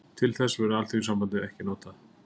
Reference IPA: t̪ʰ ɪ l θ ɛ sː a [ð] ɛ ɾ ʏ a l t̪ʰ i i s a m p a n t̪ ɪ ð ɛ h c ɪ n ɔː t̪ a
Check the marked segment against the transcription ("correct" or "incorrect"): incorrect